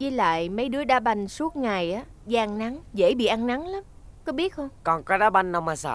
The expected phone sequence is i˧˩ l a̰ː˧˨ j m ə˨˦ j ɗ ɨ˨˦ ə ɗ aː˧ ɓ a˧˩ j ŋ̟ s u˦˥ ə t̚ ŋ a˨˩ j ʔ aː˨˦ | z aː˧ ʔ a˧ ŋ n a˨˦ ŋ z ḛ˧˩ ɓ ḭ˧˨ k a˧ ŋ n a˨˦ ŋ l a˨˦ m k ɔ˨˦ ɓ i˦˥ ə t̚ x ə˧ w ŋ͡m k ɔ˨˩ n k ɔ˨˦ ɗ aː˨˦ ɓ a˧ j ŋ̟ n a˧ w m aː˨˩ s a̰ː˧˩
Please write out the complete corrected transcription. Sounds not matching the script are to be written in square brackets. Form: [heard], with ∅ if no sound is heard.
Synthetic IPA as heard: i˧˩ l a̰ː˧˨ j m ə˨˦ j ɗ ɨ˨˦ ə ɗ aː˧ ɓ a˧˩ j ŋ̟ s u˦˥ ə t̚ ŋ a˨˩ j ʔ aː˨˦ | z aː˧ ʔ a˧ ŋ n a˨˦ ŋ z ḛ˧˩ ɓ ḭ˧˨ [ʔ] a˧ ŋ n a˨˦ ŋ l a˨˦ m k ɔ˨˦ ɓ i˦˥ ə t̚ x ə˧ w ŋ͡m k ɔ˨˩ n k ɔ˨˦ ɗ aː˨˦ ɓ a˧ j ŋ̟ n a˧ w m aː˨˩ s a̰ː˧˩